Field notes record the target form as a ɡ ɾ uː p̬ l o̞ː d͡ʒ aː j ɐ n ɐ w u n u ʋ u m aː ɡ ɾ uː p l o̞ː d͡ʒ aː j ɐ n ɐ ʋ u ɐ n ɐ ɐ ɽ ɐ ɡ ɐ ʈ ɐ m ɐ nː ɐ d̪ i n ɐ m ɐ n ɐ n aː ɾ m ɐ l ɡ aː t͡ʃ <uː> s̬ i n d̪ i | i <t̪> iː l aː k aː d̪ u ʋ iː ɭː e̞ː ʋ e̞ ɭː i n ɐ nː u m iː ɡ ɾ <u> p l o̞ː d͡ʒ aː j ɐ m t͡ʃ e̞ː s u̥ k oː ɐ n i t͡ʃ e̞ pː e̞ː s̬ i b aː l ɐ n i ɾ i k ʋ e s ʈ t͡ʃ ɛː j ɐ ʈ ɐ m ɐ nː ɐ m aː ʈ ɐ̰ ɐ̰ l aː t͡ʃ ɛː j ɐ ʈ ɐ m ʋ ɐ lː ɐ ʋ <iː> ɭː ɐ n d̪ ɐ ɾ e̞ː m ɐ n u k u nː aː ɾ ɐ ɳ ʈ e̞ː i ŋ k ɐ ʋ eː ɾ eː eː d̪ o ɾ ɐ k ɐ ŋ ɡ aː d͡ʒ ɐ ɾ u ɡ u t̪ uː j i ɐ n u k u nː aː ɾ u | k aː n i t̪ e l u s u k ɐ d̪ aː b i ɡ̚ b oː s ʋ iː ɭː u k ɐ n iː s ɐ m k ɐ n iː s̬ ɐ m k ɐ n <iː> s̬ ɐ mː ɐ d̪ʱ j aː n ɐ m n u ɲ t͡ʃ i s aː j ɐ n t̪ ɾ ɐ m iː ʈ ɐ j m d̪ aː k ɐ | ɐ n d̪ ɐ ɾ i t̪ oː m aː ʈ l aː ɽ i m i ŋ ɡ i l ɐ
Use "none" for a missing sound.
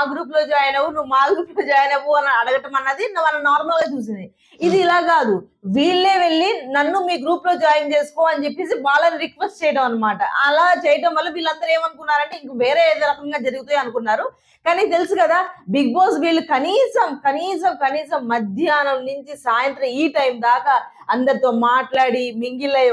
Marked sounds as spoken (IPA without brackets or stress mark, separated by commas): uː, d̪, uː, iː, iː